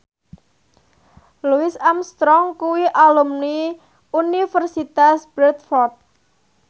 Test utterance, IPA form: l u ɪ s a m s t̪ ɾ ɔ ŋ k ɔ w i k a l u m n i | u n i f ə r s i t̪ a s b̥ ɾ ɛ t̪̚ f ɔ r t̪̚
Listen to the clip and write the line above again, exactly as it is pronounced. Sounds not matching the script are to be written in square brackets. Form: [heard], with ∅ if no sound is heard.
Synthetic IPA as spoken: l u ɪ s a m s t̪ ɾ ɔ ŋ k [u] w i [ʔ] a l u m n i | u n i f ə r s i t̪ a s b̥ ɾ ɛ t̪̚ f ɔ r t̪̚